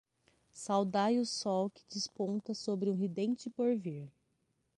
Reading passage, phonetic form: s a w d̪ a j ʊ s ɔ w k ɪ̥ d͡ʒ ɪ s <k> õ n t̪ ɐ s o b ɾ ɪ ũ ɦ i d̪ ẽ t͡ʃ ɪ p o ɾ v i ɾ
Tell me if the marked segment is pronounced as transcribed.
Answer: no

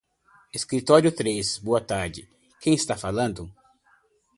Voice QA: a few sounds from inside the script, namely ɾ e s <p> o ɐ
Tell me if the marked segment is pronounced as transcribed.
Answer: no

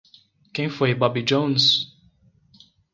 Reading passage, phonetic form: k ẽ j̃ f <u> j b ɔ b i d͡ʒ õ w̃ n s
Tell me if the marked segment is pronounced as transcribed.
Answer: no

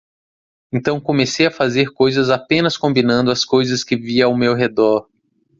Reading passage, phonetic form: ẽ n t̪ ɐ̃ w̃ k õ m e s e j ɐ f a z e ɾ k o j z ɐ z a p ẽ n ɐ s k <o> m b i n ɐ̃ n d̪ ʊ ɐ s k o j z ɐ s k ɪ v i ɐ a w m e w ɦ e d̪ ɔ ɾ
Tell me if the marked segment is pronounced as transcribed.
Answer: no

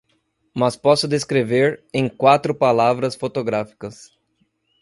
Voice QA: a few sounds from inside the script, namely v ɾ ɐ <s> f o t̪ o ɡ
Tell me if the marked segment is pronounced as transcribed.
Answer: yes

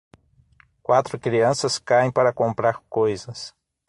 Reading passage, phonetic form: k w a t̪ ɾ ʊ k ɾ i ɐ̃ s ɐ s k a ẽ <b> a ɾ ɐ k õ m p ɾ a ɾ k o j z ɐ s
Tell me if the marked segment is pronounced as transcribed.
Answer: no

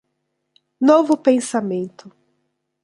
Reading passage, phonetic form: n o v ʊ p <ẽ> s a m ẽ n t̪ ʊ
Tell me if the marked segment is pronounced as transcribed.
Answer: yes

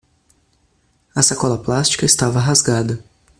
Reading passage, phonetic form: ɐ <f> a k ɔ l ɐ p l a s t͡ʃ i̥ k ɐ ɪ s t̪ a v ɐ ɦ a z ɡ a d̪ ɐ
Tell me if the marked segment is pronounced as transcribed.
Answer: no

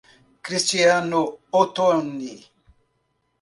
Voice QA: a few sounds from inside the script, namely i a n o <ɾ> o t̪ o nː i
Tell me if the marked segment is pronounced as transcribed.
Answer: no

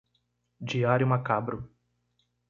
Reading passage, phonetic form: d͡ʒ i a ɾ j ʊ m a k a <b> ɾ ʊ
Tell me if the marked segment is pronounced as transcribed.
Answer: yes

